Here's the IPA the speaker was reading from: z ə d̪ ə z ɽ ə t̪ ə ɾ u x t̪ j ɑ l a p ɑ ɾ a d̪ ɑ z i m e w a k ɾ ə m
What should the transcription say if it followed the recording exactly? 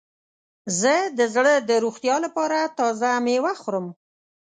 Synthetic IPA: z ə d̪ ə z ɽ ə d̪ ə ɾ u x t̪ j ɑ l a p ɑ ɾ a t̪ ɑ z a m e w a x ɾ ə m